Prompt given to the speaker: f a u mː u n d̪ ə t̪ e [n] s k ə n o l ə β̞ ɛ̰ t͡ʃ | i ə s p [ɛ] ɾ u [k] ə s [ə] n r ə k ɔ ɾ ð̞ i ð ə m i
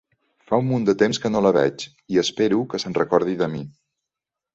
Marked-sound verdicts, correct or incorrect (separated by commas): incorrect, incorrect, correct, correct